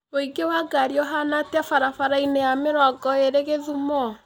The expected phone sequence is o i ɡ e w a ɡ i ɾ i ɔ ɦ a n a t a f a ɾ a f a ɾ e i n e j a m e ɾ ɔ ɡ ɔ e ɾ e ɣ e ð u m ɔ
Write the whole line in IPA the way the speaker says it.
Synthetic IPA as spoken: o i ɡ e w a ɡ a ɾ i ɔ ɦ a n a t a f a ɾ a f a ɾ a i n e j a m e ɾ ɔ ɡ ɔ e ɾ e ɣ e ð u m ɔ